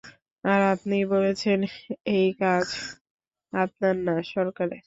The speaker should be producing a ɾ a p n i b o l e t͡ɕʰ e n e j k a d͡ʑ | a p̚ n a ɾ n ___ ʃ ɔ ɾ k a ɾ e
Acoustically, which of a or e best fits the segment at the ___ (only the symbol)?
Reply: a